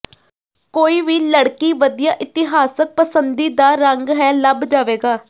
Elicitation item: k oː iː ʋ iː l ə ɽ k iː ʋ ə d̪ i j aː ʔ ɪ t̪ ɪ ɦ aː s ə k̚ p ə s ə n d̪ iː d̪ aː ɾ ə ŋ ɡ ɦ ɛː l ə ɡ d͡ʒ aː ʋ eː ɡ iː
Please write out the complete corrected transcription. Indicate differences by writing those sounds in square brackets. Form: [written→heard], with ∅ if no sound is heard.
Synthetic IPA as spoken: k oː iː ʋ iː l ə ɽ k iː ʋ ə d̪ i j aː ʔ ɪ t̪ ɪ ɦ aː s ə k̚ p ə s ə n d̪ iː d̪ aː ɾ ə ŋ ɡ ɦ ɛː l ə [ɡ→b] d͡ʒ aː ʋ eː ɡ [iː→aː]

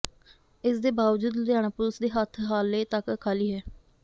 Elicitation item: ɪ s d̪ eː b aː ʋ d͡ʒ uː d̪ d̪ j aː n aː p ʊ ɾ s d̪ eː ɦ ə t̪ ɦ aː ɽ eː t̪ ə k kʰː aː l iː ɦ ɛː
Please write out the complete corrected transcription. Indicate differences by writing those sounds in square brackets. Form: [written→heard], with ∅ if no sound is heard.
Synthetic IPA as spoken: ɪ s d̪ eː b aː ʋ d͡ʒ uː d̪ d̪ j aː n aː p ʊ [ɾ→l] s d̪ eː ɦ ə [t̪→t̪ʰ] ɦ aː [ɽ→l] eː t̪ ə k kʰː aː l iː ɦ ɛː

